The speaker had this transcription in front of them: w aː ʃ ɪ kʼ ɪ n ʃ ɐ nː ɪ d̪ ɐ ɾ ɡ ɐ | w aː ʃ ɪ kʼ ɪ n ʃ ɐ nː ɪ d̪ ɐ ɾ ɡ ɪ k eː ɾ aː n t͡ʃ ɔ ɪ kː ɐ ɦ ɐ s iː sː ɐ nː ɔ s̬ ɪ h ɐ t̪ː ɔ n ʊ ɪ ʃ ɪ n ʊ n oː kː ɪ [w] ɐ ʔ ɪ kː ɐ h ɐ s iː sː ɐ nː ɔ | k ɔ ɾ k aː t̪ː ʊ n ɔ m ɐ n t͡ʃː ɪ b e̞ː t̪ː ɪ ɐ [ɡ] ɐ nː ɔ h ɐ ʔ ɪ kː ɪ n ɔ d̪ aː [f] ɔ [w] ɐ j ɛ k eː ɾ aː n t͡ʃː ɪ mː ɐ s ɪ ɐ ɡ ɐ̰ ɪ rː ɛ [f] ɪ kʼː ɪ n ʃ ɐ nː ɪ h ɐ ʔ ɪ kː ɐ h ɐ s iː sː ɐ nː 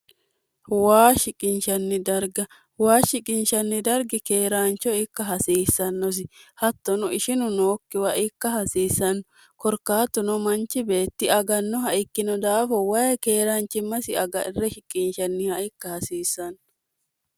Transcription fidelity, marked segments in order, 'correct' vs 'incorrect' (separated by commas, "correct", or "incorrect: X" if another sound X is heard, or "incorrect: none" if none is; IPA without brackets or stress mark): correct, correct, correct, correct, incorrect: ʃ